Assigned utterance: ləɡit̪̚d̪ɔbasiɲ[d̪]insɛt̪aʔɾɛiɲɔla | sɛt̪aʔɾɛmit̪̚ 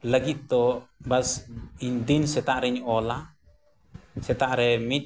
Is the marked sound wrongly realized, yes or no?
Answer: no